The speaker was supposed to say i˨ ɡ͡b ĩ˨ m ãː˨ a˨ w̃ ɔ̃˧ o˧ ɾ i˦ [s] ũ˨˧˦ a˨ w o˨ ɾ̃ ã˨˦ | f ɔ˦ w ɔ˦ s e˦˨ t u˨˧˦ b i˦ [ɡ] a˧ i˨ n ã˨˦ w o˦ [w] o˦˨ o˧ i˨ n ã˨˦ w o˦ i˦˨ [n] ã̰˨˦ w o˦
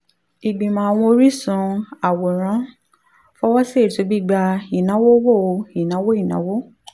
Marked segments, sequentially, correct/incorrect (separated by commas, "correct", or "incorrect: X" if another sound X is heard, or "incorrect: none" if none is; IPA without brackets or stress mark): correct, incorrect: ɡ͡b, correct, correct